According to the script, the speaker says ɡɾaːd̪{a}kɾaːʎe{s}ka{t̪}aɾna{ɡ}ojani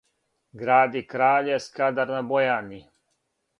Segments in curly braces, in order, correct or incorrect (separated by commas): incorrect, correct, incorrect, incorrect